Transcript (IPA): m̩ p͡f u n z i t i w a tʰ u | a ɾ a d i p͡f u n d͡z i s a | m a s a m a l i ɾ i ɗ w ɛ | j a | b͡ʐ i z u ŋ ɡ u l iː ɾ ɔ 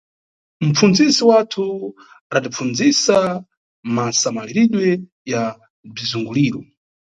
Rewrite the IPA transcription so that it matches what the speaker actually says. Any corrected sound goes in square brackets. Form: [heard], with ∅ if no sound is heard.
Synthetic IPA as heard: m̩ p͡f u n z i [s] i w a tʰ u | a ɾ a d i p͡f u n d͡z i s a | m a s a m a l i ɾ i ɗ w ɛ | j a | b͡ʐ i z u ŋ ɡ u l iː ɾ ɔ